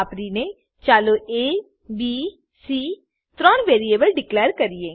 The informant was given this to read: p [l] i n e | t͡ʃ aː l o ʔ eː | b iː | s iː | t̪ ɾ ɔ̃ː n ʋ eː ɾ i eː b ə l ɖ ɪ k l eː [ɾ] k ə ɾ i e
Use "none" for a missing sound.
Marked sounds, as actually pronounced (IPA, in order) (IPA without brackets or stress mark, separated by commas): ɾ, ɾ